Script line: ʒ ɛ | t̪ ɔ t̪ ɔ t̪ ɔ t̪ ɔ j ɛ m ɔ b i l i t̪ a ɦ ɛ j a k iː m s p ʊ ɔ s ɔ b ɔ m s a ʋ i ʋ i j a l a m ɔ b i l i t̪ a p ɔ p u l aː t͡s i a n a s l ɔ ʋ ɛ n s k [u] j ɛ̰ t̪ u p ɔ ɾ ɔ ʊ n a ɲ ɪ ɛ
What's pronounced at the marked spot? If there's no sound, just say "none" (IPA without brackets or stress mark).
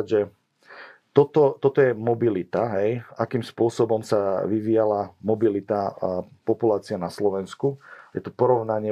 u